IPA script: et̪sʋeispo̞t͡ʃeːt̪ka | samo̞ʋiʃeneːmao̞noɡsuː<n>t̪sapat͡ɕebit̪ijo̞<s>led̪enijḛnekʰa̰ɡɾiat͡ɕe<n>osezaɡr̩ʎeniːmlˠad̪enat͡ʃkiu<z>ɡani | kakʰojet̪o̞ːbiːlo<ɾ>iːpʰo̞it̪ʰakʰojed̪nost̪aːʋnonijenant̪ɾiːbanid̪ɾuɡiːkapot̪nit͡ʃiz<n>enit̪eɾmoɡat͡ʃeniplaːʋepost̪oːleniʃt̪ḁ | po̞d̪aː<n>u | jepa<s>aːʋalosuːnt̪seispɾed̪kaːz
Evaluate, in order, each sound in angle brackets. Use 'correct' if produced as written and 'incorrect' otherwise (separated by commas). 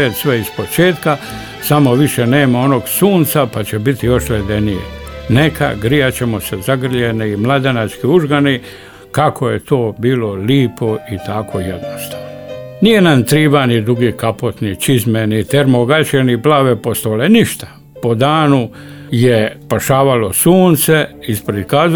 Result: correct, incorrect, incorrect, incorrect, incorrect, incorrect, correct, incorrect